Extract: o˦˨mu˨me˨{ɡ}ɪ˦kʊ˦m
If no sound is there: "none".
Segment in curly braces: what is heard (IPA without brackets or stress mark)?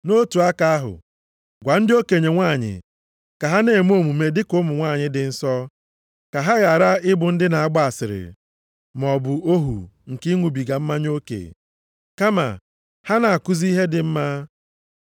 d